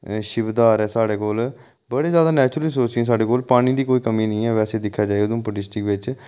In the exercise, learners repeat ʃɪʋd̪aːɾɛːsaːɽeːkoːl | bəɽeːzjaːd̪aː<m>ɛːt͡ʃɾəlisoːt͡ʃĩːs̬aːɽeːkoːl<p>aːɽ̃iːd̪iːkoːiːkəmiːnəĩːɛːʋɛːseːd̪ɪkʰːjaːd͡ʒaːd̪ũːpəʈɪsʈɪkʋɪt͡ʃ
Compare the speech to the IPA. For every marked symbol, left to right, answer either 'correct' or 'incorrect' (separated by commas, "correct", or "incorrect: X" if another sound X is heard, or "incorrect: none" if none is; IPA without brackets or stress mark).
incorrect: n, correct